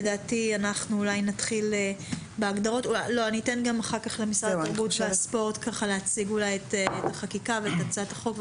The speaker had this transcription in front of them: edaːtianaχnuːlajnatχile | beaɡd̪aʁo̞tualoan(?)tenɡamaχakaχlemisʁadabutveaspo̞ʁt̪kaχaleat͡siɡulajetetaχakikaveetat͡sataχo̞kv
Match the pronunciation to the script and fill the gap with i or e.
i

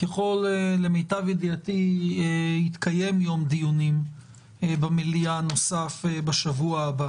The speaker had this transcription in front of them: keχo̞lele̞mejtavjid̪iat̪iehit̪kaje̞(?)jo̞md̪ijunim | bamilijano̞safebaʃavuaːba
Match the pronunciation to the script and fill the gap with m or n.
m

